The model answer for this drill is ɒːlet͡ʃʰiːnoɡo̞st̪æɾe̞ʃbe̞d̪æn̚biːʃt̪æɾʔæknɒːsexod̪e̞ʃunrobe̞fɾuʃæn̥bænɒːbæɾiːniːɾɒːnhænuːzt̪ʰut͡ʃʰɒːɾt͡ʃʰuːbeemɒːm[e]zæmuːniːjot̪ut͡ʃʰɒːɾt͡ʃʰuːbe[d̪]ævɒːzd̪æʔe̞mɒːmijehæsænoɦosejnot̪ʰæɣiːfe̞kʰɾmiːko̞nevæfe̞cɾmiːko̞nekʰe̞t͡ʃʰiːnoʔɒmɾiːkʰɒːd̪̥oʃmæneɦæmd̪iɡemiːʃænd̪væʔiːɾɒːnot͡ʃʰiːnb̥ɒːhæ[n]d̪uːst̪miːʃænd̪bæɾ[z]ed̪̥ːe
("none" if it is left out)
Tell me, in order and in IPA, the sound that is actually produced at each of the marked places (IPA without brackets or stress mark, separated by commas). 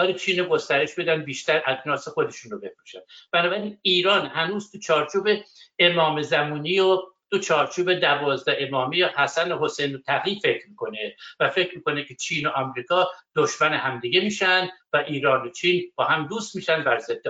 e, d̪, m, z